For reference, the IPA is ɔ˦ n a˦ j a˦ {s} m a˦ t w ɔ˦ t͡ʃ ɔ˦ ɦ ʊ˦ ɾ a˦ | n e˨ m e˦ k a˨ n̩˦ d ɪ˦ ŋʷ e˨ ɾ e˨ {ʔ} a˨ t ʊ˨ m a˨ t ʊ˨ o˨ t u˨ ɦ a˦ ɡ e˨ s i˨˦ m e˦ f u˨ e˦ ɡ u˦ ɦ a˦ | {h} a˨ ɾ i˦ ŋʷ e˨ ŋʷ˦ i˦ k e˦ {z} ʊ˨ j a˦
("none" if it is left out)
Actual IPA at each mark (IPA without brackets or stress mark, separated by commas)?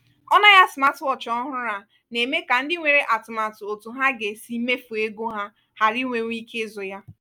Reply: s, ʔ, h, z